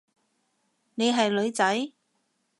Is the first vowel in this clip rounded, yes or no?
no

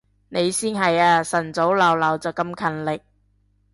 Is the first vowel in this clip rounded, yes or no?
no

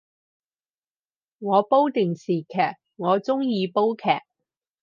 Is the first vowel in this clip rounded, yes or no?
yes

